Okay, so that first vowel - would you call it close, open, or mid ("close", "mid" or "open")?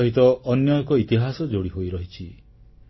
close